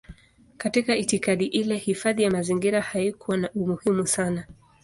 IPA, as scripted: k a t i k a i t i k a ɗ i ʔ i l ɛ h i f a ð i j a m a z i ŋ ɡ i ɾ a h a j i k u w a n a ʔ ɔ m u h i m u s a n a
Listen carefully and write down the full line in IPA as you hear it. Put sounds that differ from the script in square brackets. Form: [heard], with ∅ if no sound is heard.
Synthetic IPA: k a t i k a i t i k a ɗ i ʔ i l ɛ h i f a ð i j a m a z i ŋ ɡ i ɾ a h a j i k u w a n a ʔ [u] m u h i m u s a n a